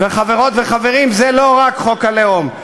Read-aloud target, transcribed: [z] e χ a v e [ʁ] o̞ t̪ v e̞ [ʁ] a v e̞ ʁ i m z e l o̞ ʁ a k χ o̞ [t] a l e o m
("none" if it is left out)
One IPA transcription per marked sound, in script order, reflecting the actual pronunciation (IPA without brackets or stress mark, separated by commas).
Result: v, ʁ, χ, k